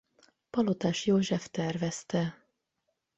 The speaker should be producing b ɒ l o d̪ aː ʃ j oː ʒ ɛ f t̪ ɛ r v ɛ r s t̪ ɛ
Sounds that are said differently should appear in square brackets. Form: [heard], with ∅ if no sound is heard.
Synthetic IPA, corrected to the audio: [p] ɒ l o [t̪] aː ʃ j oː ʒ ɛ f t̪ ɛ r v ɛ [∅] s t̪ ɛ